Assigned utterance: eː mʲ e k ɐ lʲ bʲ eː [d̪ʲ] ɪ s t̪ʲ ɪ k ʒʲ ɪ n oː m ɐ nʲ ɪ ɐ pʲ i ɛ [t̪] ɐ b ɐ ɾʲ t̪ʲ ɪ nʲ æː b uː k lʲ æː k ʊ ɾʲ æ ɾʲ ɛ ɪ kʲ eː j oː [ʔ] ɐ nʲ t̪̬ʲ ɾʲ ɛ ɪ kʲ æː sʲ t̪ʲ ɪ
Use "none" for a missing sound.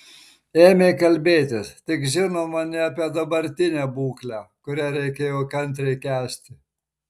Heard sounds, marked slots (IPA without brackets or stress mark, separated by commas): t̪ʲ, d̪, k